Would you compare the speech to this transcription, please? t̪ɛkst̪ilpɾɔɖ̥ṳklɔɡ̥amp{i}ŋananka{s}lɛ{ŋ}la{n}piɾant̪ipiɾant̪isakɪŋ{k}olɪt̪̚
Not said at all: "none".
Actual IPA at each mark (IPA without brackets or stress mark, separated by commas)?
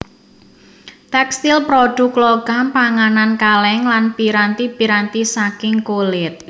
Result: a, none, ŋ, n, k